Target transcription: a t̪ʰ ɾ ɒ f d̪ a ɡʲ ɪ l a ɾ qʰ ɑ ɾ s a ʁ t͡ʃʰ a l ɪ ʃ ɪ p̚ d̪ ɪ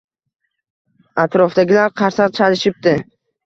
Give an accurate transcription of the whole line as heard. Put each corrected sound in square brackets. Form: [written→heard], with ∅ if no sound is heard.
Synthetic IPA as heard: a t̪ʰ ɾ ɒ f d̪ a ɡʲ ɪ l a ɾ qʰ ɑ ɾ s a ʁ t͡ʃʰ a l ɪ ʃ ɪ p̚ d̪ ɪ